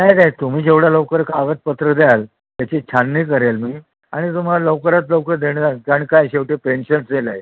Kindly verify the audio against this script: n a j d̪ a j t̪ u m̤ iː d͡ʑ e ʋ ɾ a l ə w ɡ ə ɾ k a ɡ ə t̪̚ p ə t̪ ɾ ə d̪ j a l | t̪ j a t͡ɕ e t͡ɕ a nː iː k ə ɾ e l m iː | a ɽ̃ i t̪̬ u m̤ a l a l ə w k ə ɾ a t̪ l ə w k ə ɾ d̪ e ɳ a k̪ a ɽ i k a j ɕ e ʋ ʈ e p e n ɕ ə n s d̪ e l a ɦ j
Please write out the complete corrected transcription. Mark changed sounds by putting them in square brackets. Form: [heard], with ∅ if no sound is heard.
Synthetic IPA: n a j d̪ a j t̪ u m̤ iː d͡ʑ e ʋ [ɽ] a l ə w [k] ə ɾ k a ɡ ə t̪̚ p ə t̪ ɾ ə d̪ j a l | t̪ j a t͡ɕ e [t͡ɕʰ] a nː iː k ə ɾ e l m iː | a ɽ̃ i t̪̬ u m̤ a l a l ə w k ə ɾ a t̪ l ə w k ə ɾ d̪ e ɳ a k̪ a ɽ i k a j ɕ e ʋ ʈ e p e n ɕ ə n s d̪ e l a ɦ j

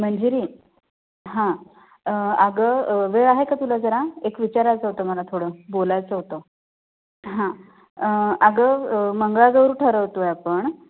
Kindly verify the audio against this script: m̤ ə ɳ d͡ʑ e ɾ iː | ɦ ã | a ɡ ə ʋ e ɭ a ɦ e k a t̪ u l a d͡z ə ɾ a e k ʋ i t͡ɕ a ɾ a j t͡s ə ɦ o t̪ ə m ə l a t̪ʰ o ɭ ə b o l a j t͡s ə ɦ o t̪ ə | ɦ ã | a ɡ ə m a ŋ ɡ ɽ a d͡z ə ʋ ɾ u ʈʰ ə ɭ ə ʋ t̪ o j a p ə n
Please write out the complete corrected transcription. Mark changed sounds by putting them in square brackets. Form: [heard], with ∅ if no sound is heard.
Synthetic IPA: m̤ ə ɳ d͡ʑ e ɾ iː | ɦ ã | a ɡ ə ʋ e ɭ a ɦ e k a t̪ u l a d͡z ə ɾ a e k ʋ i t͡ɕ a ɾ a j t͡s ə ɦ o t̪ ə m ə l a t̪ʰ o [ɽ] ə b o l a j t͡s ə ɦ o t̪ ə | ɦ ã | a ɡ ə m [ə] ŋ ɡ [ɭ] a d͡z ə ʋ ɾ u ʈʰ ə [ɾ] ə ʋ t̪ o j a p ə [ɳ]

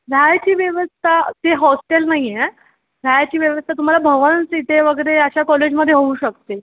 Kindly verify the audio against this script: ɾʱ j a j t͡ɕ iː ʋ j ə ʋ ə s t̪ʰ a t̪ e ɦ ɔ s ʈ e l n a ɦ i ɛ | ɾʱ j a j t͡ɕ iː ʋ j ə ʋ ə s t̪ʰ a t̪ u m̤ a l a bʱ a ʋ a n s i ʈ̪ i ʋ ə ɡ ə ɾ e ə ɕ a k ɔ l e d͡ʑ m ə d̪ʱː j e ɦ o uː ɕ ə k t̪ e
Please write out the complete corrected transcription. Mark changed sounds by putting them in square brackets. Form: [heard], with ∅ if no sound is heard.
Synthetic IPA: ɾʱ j a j t͡ɕ iː ʋ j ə ʋ ə s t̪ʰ a t̪ e ɦ ɔ s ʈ e l n a ɦ i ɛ | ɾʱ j a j t͡ɕ iː ʋ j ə ʋ ə s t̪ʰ a t̪ u m̤ a l a bʱ [ə] ʋ [ə] n s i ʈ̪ [e] ʋ ə ɡ ə ɾ e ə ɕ a k ɔ l e d͡ʑ m ə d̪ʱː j e ɦ o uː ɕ ə k t̪ e

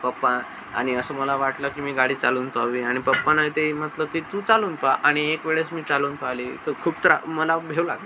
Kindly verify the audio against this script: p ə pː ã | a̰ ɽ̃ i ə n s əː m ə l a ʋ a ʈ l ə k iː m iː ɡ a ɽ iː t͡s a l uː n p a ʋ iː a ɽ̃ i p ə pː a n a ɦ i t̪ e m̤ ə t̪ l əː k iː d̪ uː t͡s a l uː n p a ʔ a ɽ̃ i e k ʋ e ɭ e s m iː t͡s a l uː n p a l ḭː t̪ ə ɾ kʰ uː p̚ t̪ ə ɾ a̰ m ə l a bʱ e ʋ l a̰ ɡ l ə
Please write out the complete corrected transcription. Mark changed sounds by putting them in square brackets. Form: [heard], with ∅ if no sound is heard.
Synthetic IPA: p ə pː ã | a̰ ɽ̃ i ə [∅] s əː m ə l a ʋ a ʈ l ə k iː m iː ɡ a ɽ iː t͡s a l uː n p a ʋ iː a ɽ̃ i p ə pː a n a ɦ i t̪ e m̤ ə t̪ l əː k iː [t̪] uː t͡s a l uː n p a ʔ a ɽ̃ i e k ʋ e ɭ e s m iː t͡s a l uː n p a l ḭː t̪ ə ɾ kʰ uː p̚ t̪ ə ɾ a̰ m ə l a bʱ e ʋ l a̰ ɡ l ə

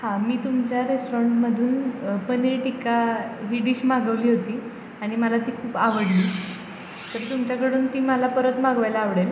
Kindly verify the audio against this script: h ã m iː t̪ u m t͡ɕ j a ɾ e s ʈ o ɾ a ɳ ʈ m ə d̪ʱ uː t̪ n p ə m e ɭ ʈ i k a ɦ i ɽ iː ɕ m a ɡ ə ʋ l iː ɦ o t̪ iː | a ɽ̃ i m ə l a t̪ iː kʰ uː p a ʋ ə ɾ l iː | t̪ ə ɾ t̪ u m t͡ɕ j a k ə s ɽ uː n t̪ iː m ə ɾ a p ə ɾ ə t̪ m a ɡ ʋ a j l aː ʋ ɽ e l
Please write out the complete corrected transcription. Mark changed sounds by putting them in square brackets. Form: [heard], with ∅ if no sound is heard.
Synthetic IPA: h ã m iː t̪ u m t͡ɕ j a ɾ e s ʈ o ɾ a ɳ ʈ m ə d̪ʱ uː [∅] n p ə [n] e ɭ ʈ i k a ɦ i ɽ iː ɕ m a ɡ ə ʋ l iː ɦ o t̪ iː | a ɽ̃ i m ə l a t̪ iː kʰ uː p a ʋ ə [ɽ] l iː | t̪ ə ɾ t̪ u m t͡ɕ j a k ə [∅] ɽ uː n t̪ iː m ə [l] a p ə ɾ ə t̪ m a ɡ ʋ a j l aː ʋ ɽ e l

